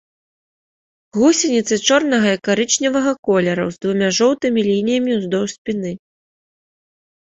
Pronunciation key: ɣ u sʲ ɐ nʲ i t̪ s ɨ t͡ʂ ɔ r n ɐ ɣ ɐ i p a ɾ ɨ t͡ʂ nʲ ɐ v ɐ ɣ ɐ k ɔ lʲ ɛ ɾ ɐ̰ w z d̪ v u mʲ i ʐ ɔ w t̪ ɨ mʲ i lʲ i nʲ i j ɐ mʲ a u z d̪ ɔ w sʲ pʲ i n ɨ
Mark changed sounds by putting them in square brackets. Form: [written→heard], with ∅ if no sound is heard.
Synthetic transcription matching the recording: ɣ u sʲ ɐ nʲ i t̪ s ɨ t͡ʂ ɔ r n ɐ ɣ ɐ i [p→k] a ɾ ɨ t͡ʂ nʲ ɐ v ɐ ɣ ɐ k ɔ lʲ ɛ ɾ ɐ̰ w z d̪ v u mʲ [i→a] ʐ ɔ w t̪ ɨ mʲ i lʲ i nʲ i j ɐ mʲ [a→i] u z d̪ ɔ w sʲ pʲ i n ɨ

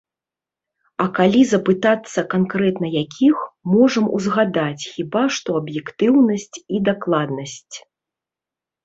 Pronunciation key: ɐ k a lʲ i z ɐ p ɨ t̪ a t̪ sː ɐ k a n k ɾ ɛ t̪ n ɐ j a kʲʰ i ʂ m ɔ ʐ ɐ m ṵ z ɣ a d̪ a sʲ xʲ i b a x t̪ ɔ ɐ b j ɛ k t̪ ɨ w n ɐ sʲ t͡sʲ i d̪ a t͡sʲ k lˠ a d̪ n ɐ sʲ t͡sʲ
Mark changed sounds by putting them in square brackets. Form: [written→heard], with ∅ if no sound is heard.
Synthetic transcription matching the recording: ɐ k a lʲ i z ɐ p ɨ t̪ a t̪ sː ɐ k a n k ɾ ɛ t̪ n ɐ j a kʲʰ i [ʂ→x] m ɔ ʐ ɐ m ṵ z ɣ a d̪ a [sʲ→t͡sʲ] xʲ i b a [x→ʂ] t̪ ɔ ɐ b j ɛ k t̪ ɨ w n ɐ sʲ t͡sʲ i d̪ a [t͡sʲ→∅] k lˠ a d̪ n ɐ sʲ t͡sʲ

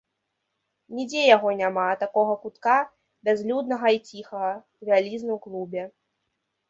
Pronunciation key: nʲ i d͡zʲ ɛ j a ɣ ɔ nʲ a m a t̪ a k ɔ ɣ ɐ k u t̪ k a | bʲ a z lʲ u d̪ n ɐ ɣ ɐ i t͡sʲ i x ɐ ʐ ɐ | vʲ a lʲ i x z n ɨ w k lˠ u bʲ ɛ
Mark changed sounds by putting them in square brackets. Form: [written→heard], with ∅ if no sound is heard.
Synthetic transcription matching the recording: nʲ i d͡zʲ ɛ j a ɣ ɔ nʲ a m a t̪ a k ɔ ɣ ɐ k u t̪ k a | bʲ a z lʲ u d̪ n ɐ ɣ ɐ i t͡sʲ i x ɐ [ʐ→ɣ] ɐ | vʲ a lʲ i [x→∅] z n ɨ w k lˠ u bʲ ɛ

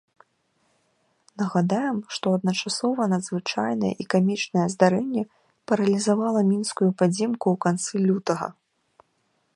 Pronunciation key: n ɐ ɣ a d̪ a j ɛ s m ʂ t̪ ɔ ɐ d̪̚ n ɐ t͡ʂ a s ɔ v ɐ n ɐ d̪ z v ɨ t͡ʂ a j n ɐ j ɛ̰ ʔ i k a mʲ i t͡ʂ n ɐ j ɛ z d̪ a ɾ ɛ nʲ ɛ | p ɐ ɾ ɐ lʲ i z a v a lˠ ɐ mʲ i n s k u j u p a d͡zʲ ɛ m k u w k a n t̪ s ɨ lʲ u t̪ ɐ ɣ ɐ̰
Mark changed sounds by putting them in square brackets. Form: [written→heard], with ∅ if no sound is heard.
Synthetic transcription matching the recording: n ɐ ɣ a d̪ a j ɛ [s→∅] m ʂ t̪ ɔ ɐ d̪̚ n ɐ t͡ʂ a s ɔ v ɐ n ɐ d̪ z v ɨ t͡ʂ a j n ɐ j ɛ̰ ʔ i k a mʲ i t͡ʂ n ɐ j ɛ z d̪ a ɾ ɛ [nʲ→nʲː] ɛ | p ɐ ɾ ɐ lʲ i z a v a lˠ ɐ mʲ i n s k u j u p a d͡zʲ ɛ m k u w k a n t̪ s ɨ lʲ u t̪ ɐ ɣ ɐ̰

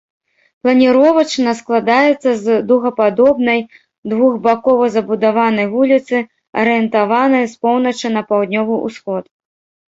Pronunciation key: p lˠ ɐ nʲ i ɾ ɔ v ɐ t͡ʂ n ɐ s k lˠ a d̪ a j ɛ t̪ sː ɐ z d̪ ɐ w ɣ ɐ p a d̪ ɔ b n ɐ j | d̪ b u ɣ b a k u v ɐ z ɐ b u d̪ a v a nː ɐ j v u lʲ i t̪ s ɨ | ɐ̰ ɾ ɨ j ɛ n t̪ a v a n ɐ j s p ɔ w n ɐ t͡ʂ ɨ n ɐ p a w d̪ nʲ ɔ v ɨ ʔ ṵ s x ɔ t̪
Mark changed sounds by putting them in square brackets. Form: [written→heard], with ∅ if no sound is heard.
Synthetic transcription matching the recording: p lˠ ɐ nʲ i ɾ ɔ v ɐ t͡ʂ n ɐ s k lˠ a d̪ a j ɛ t̪ sː ɐ z d̪ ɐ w ɣ ɐ p a d̪ ɔ b n ɐ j | d̪ [b→v] u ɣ b a k [u→ɔ] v ɐ z ɐ b u d̪ a v a [nː→n] ɐ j v u lʲ i t̪ s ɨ | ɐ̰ ɾ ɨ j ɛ n t̪ a v a n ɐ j s p ɔ w n ɐ t͡ʂ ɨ n ɐ p a w d̪ nʲ ɔ v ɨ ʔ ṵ s x ɔ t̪

